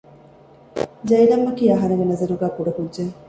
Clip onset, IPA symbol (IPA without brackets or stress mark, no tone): d͡ʒ